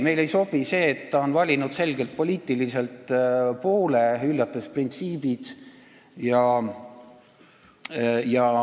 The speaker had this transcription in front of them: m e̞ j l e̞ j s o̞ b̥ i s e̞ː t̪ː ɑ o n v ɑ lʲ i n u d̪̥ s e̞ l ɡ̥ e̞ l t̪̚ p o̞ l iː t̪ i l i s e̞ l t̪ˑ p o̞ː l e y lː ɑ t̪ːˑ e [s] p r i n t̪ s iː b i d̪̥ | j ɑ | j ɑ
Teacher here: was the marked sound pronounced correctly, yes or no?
yes